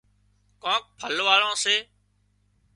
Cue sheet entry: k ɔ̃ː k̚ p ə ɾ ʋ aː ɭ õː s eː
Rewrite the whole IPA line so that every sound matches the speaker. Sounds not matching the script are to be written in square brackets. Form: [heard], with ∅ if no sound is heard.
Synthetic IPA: k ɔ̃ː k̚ [pʰ] ə [l] ʋ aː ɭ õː s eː